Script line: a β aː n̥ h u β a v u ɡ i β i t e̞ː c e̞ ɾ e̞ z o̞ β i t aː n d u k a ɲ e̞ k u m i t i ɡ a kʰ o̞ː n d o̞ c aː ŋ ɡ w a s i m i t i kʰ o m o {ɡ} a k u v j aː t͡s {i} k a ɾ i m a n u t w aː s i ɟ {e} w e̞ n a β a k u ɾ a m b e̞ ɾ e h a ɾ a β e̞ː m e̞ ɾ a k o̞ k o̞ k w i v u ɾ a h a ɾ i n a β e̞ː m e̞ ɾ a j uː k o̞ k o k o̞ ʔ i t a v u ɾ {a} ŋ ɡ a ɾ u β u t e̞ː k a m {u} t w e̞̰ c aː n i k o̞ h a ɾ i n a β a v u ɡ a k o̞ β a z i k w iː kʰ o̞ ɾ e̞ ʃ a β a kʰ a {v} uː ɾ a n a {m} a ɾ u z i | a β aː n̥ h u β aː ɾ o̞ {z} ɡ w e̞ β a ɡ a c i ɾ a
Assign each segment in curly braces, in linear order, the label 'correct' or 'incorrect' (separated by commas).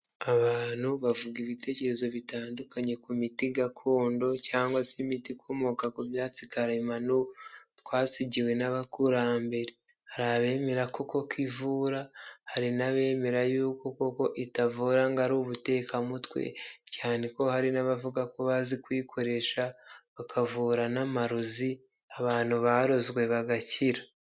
incorrect, correct, incorrect, correct, correct, correct, correct, correct